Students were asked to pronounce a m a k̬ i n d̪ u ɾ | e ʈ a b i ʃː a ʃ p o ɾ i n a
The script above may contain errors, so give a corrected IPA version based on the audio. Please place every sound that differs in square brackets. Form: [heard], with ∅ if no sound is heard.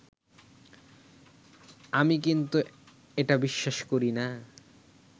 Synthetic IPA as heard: a m [i] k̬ i n [t̪] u [∅] | e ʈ a b i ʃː a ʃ [k] o ɾ i n a

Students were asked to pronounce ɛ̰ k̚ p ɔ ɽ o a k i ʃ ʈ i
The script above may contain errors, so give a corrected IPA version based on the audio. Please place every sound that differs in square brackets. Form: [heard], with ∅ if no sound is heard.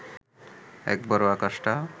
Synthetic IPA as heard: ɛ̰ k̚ [b] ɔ [ɾ] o a k [a] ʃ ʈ [a]

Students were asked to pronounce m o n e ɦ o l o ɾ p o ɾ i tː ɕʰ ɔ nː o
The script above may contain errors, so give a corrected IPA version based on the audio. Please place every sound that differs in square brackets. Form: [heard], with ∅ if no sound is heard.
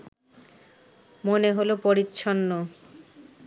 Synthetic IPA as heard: m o n e ɦ o l o [∅] p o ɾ i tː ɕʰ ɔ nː o

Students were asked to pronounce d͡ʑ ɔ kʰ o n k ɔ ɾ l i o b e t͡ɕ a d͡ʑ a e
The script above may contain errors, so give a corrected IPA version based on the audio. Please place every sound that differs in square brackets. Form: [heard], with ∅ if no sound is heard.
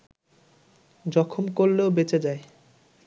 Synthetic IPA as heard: d͡ʑ ɔ kʰ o [m] k [o] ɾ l [e] o b e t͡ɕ [e] d͡ʑ a e

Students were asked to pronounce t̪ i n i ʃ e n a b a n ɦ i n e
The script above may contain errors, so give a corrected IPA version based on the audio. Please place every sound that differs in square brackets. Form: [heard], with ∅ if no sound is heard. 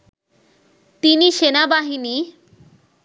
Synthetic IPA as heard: t̪ i n i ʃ e n a b a [∅] ɦ i n [i]

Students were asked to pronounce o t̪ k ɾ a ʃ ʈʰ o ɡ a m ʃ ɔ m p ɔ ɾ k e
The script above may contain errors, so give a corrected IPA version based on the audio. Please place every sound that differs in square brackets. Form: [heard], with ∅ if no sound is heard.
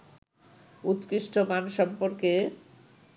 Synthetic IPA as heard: [u] t̪ k ɾ [i] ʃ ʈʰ o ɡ a [n] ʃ ɔ m p [o] ɾ k e

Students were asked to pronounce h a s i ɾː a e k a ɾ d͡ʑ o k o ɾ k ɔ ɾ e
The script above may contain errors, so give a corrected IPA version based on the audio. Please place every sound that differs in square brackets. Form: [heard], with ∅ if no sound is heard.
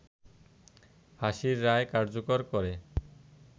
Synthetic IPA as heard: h a [ʃ] i ɾː a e k a ɾ d͡ʑ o k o ɾ k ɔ ɾ e

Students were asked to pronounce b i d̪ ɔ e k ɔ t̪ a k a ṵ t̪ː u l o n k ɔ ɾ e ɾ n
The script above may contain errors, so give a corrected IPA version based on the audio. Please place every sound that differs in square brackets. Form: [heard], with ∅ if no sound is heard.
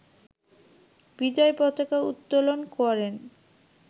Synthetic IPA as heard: b i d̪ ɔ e [p] ɔ t̪ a k a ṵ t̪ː [o] l o n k ɔ ɾ e [∅] n

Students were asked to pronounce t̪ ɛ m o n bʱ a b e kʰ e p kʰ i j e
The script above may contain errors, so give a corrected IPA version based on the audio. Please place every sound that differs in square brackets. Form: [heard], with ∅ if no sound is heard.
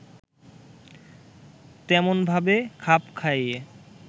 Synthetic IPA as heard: t̪ ɛ m o n bʱ a b e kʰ [a] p kʰ [a] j e

